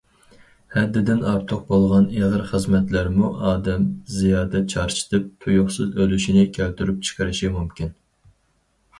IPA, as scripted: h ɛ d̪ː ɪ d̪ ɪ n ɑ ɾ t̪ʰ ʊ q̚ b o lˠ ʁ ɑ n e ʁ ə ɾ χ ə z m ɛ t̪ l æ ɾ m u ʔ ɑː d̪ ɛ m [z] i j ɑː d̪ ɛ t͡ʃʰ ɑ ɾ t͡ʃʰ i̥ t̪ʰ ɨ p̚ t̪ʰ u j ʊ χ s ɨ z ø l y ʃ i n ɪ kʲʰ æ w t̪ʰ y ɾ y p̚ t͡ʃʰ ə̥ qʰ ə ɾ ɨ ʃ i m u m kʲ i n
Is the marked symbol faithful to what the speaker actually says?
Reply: yes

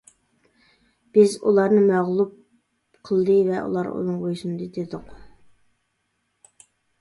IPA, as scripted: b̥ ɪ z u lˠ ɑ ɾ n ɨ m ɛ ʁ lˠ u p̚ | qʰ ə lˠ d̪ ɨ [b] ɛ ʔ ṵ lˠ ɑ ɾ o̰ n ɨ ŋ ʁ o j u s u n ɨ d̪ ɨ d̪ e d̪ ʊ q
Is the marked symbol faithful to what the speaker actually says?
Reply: no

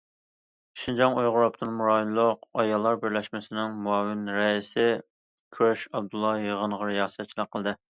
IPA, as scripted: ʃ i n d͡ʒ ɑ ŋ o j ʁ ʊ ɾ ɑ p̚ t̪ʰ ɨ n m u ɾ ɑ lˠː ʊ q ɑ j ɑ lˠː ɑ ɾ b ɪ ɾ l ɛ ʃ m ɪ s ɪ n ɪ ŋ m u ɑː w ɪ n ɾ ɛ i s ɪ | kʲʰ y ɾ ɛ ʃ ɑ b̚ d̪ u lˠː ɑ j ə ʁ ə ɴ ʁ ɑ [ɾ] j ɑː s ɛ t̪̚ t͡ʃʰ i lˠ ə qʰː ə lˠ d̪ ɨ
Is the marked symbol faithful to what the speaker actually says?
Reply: yes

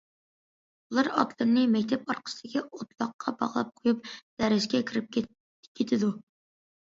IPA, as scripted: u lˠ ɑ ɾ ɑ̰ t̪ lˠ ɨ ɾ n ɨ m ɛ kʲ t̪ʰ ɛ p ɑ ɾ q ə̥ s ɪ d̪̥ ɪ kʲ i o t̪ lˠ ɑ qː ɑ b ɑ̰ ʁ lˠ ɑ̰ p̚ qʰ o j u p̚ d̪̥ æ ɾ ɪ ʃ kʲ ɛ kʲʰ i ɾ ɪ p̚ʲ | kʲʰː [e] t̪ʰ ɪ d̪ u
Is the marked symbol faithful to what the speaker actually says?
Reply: yes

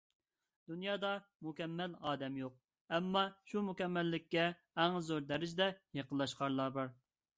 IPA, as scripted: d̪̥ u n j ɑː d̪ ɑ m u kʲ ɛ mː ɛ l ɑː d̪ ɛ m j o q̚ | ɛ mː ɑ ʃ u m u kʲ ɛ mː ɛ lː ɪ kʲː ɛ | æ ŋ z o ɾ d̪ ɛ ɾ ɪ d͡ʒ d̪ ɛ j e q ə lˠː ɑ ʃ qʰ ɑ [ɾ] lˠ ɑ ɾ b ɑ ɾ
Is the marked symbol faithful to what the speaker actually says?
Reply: yes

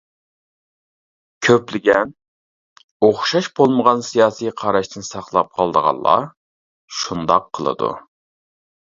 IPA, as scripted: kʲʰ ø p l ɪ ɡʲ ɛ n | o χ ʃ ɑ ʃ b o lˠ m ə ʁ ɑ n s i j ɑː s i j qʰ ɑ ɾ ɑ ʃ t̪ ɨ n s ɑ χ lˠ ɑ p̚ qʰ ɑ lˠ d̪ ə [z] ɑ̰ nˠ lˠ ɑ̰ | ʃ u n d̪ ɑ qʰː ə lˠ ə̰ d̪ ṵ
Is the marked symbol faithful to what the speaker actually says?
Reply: no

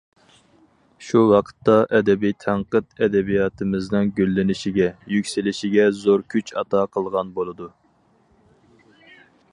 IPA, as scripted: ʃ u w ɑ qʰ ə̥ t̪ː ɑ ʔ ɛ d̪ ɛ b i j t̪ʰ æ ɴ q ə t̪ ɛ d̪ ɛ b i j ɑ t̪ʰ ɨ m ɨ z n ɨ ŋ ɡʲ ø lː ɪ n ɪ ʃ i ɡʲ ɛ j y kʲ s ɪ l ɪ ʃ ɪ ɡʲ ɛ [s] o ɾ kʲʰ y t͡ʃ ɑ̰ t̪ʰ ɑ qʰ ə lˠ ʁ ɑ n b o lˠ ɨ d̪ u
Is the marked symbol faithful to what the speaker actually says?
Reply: no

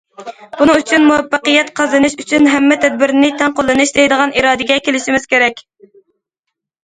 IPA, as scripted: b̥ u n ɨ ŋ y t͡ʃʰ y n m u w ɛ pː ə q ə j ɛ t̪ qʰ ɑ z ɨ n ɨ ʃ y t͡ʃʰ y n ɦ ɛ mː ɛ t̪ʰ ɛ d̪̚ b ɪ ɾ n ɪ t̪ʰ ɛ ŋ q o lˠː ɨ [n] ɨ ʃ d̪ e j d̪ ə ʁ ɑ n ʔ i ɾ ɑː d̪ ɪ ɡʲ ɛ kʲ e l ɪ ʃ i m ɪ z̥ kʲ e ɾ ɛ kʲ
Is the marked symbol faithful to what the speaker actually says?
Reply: yes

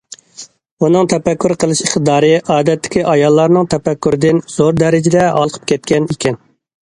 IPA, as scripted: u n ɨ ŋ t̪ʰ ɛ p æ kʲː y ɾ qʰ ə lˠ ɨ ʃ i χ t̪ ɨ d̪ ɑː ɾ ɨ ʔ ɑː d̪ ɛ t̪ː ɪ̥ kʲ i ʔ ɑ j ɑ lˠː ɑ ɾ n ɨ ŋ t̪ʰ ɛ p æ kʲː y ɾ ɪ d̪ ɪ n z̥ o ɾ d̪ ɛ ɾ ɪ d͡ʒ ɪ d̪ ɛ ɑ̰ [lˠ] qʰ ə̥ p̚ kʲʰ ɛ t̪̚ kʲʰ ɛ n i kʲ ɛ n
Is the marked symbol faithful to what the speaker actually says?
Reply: yes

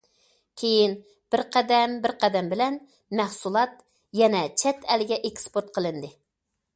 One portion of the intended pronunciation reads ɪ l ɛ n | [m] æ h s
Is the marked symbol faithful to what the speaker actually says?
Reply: yes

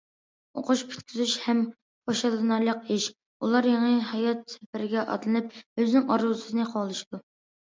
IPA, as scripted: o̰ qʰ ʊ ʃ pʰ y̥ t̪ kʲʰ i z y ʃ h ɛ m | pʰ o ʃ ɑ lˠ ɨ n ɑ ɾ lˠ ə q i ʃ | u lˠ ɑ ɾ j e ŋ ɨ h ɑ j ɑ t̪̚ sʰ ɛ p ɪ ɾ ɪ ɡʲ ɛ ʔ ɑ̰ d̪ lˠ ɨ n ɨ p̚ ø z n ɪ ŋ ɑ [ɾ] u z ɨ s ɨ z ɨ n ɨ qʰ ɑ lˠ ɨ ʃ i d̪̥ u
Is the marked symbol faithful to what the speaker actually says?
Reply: yes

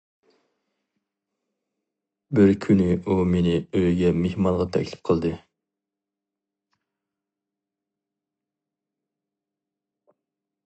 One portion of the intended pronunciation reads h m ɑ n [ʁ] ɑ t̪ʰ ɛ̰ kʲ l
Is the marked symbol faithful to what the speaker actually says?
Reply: yes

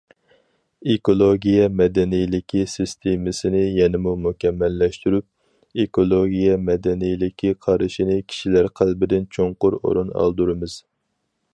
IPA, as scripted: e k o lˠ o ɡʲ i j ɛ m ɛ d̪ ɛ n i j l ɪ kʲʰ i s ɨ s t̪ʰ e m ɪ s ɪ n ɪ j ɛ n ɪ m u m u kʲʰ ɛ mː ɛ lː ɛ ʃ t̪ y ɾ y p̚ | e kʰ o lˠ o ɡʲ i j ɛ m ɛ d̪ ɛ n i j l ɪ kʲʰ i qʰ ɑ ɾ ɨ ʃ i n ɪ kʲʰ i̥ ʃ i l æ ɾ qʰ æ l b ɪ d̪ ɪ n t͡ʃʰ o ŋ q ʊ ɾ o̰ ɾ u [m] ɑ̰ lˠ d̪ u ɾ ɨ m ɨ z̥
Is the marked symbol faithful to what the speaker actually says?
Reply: no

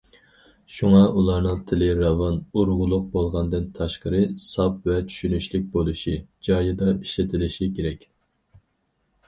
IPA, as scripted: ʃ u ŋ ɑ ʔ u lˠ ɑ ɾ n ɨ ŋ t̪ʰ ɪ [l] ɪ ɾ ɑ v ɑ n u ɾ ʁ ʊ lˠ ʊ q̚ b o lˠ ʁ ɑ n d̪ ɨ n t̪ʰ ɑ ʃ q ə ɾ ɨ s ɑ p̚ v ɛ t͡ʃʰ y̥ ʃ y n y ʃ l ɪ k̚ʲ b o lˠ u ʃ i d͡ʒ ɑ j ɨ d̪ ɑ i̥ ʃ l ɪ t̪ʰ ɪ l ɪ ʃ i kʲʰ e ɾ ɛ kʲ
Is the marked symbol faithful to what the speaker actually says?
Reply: yes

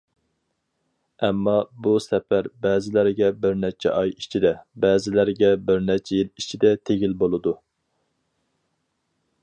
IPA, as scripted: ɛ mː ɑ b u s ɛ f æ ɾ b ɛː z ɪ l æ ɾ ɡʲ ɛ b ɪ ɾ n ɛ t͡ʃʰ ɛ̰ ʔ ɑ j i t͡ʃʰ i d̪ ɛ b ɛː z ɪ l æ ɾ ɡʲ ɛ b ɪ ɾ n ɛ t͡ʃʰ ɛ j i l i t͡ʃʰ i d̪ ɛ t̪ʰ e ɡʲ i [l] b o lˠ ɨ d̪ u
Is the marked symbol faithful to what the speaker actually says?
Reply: yes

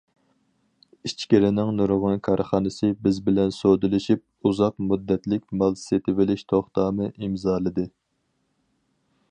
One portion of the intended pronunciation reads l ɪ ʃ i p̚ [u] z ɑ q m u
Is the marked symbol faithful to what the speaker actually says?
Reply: yes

